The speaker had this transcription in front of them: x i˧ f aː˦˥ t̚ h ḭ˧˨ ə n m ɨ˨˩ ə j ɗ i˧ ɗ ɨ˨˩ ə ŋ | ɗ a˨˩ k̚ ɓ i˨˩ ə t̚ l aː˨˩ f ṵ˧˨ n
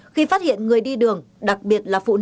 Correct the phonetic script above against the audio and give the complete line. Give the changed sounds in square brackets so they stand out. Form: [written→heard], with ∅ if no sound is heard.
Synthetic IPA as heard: x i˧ f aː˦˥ t̚ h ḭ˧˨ ə n [m→ŋ] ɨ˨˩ ə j ɗ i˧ ɗ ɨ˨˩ ə ŋ | ɗ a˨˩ k̚ ɓ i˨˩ ə t̚ l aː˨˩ f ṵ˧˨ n

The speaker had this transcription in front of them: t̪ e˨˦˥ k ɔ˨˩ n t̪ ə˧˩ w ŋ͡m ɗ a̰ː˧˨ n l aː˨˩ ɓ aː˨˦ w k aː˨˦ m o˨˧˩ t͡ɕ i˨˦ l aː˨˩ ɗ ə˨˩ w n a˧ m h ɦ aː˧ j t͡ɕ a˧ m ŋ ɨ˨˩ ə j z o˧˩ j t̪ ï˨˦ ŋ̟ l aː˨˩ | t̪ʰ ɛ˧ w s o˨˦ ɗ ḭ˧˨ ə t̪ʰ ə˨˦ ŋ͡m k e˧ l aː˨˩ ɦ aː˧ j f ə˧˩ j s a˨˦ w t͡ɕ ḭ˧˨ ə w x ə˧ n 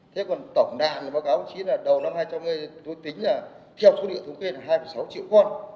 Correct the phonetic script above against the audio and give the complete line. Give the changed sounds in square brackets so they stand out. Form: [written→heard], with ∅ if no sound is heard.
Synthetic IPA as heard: [t̪→t̪ʰ] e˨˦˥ k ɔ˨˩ n t̪ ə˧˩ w ŋ͡m ɗ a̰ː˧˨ n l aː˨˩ ɓ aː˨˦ w k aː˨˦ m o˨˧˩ t͡ɕ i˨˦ l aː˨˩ ɗ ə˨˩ w n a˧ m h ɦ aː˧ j t͡ɕ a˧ m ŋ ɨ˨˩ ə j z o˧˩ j t̪ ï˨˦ ŋ̟ l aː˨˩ | t̪ʰ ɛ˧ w s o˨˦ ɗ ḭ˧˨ ə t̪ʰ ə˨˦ ŋ͡m k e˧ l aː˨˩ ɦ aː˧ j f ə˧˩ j s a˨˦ w t͡ɕ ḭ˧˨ ə w x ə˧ n

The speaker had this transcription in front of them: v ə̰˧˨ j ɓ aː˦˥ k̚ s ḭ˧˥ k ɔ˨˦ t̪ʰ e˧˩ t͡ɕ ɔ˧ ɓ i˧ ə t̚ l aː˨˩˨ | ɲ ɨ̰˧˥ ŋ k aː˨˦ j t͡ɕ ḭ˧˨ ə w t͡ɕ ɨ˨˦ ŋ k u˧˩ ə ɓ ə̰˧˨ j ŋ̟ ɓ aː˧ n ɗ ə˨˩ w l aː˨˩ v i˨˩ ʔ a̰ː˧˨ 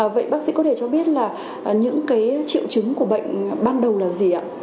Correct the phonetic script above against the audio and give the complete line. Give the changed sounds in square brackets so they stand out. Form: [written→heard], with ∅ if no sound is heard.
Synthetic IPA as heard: v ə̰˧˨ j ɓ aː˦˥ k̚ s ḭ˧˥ k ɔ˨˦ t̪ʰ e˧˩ t͡ɕ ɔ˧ ɓ [i˧→i˦˥] ə t̚ l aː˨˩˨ | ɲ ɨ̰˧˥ ŋ k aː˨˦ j t͡ɕ ḭ˧˨ ə w t͡ɕ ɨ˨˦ ŋ k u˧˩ ə ɓ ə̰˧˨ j ŋ̟ ɓ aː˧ n ɗ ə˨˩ w l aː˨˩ [v→z] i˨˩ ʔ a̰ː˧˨

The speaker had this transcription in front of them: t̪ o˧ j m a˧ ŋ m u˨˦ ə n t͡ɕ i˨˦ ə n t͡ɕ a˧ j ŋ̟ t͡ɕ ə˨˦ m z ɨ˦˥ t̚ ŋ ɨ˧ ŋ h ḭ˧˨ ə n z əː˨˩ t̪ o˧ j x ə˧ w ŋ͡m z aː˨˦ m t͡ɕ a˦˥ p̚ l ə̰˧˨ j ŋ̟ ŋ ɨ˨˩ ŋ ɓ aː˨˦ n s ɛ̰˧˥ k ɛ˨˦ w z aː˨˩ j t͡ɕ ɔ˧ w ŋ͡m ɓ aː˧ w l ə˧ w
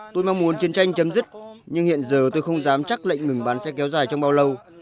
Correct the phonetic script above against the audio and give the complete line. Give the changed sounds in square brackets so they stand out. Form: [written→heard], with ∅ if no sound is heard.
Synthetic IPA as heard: t̪ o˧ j m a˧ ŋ m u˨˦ ə n t͡ɕ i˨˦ ə n t͡ɕ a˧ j ŋ̟ t͡ɕ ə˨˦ m z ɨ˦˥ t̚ [ŋ→ɲ] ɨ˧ ŋ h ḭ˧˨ ə n z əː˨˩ t̪ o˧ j x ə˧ w ŋ͡m z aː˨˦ m t͡ɕ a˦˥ [p̚→k̚] l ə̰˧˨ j ŋ̟ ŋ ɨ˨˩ ŋ ɓ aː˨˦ n s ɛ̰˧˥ k ɛ˨˦ w z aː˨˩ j t͡ɕ ɔ˧ w ŋ͡m ɓ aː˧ w l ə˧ w

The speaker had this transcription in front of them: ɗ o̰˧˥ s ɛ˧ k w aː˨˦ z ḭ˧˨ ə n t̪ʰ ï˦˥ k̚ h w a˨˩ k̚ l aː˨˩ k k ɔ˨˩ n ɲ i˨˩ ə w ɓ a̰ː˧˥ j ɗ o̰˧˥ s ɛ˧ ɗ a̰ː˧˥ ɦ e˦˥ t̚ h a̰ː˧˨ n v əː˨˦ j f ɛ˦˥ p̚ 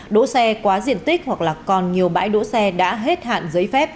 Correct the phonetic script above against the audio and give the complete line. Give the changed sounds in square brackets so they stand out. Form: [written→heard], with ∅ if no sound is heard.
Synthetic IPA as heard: ɗ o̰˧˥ s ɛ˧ k w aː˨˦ z ḭ˧˨ ə n [t̪ʰ→t̪] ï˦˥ k̚ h w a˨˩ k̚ l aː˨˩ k k ɔ˨˩ n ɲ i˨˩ ə w ɓ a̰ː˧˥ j ɗ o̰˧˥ s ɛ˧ ɗ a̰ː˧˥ ɦ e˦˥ t̚ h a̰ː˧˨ n [v→z] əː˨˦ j f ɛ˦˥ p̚

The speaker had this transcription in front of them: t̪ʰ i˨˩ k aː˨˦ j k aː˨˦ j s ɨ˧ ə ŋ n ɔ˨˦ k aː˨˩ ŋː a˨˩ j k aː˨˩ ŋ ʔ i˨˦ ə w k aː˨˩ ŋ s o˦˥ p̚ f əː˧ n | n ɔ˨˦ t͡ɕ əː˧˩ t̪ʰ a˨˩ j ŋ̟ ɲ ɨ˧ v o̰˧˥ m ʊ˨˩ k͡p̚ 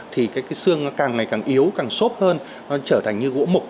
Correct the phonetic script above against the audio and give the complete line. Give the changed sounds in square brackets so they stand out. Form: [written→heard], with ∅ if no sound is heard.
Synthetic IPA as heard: t̪ʰ i˨˩ k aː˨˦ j k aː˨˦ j s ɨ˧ ə ŋ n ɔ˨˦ k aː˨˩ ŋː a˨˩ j k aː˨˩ ŋ ʔ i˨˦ ə w k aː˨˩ ŋ s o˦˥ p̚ [f→h] əː˧ n | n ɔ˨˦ t͡ɕ əː˧˩ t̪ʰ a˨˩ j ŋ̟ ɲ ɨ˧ [v→ɣ] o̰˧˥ m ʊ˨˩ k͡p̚

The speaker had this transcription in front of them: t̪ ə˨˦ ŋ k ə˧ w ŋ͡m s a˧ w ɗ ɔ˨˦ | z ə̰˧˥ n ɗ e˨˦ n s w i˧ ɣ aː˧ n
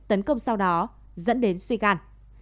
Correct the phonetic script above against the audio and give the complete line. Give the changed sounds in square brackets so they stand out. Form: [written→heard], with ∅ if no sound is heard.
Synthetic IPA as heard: t̪ ə˨˦ [ŋ→n] k ə˧ w ŋ͡m s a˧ w ɗ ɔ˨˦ | z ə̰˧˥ n ɗ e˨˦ n s w i˧ ɣ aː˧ n

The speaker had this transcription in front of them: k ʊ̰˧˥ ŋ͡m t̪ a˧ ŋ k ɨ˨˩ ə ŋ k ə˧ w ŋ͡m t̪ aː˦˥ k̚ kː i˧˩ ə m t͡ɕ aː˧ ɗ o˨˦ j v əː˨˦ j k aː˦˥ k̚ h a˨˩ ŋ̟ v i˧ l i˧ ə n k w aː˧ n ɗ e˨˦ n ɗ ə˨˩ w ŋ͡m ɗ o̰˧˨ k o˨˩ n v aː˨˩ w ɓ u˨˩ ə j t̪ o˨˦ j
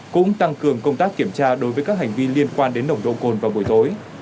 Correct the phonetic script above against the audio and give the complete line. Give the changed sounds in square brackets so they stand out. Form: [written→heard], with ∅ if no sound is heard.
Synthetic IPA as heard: k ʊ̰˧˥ ŋ͡m t̪ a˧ ŋ k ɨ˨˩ ə ŋ k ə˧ w ŋ͡m t̪ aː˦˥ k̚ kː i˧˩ ə m t͡ɕ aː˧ ɗ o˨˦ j v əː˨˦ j k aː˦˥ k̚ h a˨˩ ŋ̟ v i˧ l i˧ ə n k w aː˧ n ɗ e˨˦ n ɗ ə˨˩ w ŋ͡m ɗ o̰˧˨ k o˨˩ n v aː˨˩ w ɓ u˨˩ ə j t̪ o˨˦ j

